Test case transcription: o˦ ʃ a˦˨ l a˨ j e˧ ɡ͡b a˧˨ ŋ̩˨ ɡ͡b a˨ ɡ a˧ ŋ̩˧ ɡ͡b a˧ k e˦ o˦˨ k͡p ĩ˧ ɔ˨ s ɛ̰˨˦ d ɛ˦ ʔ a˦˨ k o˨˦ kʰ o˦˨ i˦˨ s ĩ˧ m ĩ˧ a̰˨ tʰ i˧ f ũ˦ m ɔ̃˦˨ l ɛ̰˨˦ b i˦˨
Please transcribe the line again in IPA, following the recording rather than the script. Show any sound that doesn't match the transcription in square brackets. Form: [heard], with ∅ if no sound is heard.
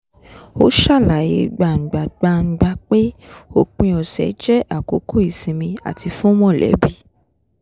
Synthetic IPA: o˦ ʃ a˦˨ l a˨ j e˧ ɡ͡b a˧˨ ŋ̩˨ ɡ͡b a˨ [ɡ͡b] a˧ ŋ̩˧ ɡ͡b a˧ [k͡p] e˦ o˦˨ k͡p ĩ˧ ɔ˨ s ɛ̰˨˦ [d͡ʒ] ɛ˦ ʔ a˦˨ k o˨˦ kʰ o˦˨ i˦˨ s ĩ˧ m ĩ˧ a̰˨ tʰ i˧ f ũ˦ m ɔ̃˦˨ l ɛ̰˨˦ b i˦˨